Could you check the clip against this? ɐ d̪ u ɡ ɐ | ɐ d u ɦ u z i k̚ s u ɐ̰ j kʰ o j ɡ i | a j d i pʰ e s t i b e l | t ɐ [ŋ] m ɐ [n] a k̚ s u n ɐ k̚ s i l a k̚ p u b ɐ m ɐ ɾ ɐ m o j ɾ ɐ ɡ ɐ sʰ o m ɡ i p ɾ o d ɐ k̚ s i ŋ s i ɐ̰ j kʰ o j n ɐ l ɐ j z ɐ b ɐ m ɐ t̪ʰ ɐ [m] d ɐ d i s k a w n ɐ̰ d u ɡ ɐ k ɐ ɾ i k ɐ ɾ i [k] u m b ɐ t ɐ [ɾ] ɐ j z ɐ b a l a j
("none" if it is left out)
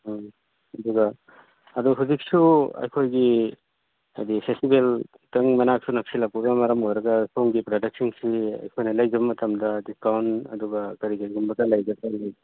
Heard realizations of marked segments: ŋ, n, m, ɡ, l

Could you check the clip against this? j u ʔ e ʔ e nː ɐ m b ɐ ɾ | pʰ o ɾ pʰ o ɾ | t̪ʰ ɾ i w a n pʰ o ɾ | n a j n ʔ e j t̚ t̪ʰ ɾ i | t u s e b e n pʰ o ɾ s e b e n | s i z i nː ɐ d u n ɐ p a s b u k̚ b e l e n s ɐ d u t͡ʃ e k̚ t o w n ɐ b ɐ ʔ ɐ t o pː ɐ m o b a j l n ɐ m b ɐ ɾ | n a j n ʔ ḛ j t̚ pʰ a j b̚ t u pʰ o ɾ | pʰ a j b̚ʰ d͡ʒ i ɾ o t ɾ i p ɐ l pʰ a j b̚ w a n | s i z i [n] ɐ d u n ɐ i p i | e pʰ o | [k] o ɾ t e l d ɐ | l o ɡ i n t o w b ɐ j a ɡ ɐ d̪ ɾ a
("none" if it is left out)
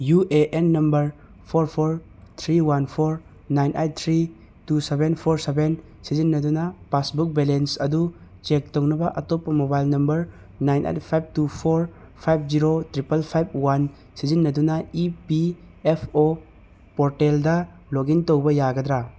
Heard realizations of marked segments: nː, p

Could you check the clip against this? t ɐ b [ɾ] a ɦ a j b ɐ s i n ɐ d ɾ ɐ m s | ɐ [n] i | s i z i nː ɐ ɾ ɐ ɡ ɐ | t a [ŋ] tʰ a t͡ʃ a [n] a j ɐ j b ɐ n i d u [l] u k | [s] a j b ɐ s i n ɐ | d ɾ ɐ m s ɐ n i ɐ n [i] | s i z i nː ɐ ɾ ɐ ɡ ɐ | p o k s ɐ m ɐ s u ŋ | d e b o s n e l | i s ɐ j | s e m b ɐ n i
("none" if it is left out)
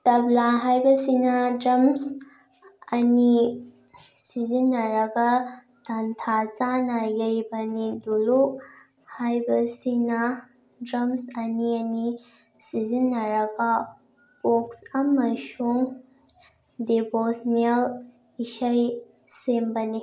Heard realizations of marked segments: l, n, n, n, l, h, i

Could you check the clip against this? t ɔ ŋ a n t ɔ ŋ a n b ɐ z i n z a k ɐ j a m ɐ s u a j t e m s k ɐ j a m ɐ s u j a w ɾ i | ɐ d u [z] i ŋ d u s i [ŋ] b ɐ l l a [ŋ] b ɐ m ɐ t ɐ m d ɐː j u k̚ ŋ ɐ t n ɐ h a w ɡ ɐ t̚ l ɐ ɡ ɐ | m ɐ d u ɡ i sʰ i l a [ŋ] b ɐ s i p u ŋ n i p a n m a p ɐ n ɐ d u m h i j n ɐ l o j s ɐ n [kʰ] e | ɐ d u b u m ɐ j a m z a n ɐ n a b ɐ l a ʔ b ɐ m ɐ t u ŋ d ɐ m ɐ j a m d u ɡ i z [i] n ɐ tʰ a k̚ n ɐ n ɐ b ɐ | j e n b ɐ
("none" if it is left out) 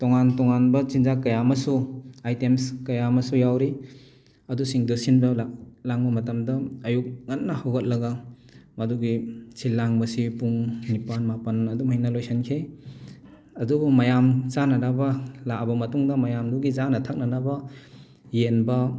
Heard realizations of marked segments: s, n, ŋ, ŋ, kʰ, a

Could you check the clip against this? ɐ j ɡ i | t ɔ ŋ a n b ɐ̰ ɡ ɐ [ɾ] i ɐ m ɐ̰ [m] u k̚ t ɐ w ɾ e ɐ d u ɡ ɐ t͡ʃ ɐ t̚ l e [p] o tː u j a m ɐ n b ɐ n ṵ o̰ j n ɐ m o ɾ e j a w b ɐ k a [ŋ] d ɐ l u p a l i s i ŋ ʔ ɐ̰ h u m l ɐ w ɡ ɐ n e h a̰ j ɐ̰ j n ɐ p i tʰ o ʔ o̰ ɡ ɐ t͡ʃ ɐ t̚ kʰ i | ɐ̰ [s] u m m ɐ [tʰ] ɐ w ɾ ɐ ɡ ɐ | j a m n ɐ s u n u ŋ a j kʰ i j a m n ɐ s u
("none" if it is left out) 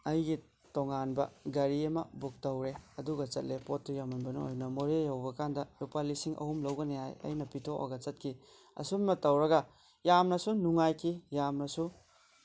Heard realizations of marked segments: ɾ, b, p, n, s, t

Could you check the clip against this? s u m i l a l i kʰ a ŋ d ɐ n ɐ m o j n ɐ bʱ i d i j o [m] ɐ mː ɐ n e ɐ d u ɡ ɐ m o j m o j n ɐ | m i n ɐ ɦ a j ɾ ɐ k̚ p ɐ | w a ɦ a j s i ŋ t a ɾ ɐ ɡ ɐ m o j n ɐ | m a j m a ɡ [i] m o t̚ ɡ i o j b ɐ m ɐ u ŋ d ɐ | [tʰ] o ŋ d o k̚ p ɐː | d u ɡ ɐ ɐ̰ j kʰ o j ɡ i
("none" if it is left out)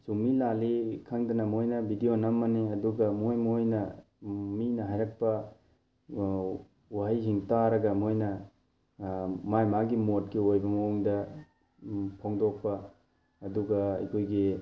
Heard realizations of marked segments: n, i, pʰ

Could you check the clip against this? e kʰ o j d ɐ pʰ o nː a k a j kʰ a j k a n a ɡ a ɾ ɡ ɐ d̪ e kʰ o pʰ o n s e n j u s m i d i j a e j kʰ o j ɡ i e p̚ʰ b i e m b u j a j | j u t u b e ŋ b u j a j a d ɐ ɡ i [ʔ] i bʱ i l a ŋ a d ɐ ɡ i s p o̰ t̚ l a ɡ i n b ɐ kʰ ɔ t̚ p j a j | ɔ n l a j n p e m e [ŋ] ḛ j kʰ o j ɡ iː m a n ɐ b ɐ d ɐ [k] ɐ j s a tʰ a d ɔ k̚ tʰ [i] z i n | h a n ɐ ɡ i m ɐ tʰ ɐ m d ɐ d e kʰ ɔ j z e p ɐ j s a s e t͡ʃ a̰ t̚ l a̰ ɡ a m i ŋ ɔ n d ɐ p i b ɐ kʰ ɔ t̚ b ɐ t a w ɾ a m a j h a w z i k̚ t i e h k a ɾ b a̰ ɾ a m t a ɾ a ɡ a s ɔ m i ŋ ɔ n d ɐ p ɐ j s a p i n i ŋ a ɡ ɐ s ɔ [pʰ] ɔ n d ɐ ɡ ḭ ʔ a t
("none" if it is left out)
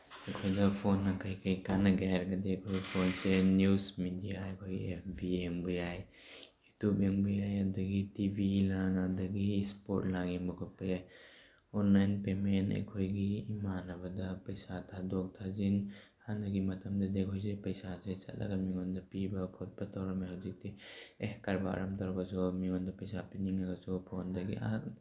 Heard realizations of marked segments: t, n, p, a, pʰ

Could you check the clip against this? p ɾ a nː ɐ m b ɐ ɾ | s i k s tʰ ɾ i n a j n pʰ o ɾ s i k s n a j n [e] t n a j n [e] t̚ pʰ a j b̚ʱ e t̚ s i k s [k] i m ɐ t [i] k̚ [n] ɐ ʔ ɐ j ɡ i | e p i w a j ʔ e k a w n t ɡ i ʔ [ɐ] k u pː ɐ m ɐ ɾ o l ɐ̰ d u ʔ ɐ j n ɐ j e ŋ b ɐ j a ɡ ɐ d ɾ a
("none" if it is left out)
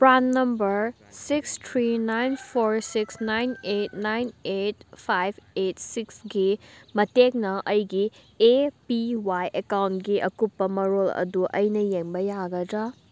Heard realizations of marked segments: e, e, ɡ, e, n, ɐ

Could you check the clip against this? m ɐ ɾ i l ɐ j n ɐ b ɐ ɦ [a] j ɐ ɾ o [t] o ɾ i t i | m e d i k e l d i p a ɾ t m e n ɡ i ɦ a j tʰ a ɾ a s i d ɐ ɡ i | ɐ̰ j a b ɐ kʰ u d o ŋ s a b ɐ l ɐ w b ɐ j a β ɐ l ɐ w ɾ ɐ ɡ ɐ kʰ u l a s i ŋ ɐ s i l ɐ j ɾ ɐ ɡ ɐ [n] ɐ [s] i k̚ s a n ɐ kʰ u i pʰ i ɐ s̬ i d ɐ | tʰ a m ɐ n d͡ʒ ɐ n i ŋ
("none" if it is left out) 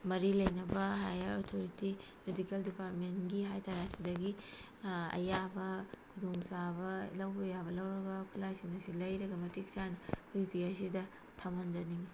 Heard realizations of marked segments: a, tʰ, m, t

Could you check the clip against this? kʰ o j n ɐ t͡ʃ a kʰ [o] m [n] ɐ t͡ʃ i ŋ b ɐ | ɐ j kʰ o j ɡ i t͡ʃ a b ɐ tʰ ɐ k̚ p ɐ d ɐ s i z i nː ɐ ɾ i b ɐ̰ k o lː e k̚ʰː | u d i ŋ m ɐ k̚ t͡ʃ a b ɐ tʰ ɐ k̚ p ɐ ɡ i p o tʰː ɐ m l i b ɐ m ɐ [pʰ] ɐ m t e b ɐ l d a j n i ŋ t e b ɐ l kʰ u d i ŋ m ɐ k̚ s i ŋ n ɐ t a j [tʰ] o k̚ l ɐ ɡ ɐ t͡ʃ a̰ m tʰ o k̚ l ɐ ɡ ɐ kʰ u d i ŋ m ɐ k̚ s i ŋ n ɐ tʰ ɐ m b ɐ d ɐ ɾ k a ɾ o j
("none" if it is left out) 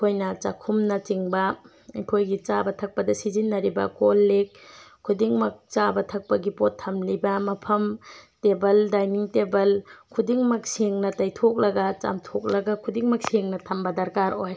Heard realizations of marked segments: u, n, pʰ, tʰ

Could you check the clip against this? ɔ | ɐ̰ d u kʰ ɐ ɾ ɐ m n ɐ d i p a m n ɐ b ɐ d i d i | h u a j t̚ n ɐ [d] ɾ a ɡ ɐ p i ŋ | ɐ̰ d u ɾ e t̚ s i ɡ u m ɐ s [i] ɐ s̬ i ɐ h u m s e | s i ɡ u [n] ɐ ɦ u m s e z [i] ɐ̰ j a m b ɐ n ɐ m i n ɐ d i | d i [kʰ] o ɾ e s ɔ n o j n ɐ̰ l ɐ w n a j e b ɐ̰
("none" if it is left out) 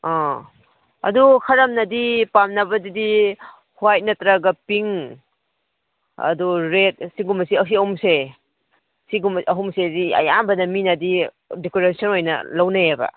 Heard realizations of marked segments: t, i, m, i, k

